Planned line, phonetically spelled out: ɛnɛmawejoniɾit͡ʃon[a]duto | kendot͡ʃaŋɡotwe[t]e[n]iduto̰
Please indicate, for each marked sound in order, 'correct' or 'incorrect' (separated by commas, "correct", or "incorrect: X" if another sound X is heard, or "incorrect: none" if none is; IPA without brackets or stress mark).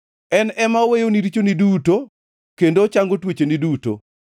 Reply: incorrect: i, incorrect: t͡ʃ, correct